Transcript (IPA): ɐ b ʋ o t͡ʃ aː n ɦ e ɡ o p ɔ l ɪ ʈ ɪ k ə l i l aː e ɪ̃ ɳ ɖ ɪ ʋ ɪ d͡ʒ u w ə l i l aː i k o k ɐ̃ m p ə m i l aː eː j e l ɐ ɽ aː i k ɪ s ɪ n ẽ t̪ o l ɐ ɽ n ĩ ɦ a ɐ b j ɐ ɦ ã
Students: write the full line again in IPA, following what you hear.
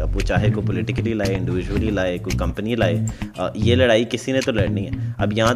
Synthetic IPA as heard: ɐ b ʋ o t͡ʃ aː ɦ e k o p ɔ l ɪ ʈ ɪ k ə l i l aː e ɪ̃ ɳ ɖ ɪ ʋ ɪ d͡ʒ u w ə l i l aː e k o k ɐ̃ m p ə n i l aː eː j e l ɐ ɽ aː i k ɪ s i n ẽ t̪ o l ɐ ɽ n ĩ ɦ ɛ ɐ b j ɐ ɦ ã